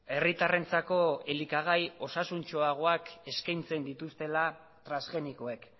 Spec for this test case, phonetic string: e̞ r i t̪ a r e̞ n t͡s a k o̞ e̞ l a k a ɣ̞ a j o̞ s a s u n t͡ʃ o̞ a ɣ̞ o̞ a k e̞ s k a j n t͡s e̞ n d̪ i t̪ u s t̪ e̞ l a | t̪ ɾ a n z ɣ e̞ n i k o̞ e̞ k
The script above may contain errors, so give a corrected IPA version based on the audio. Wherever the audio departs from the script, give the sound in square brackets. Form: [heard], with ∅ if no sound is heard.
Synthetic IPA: e̞ r i t̪ a r e̞ n t͡s a k o̞ e̞ l [i] k a ɣ̞ a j o̞ s a s u n t͡ʃ o̞ a ɣ̞ o̞ a k e̞ s k a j n t͡s e̞ n d̪ i t̪ u s t̪ e̞ l a | t̪ ɾ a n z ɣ e̞ n i k o̞ e̞ k